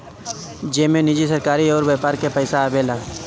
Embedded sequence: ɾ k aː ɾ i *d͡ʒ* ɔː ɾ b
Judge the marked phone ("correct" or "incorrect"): incorrect